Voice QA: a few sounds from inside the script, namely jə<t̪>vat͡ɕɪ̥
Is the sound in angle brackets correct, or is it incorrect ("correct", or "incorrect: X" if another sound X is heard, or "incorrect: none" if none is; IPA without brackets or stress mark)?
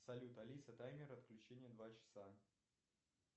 incorrect: d̪